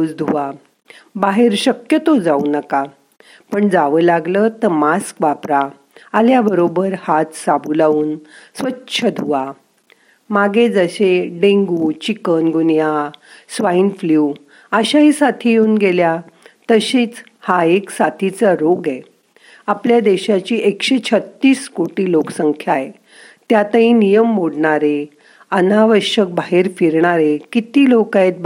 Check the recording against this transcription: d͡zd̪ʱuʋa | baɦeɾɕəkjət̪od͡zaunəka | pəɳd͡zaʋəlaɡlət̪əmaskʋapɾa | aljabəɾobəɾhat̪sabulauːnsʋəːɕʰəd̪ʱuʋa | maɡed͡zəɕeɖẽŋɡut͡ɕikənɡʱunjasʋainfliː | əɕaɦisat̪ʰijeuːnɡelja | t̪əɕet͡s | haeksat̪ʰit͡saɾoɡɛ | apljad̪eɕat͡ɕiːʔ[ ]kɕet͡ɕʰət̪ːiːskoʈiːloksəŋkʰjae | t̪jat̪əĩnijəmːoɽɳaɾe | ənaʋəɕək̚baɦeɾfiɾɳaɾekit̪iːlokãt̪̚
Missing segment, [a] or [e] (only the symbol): e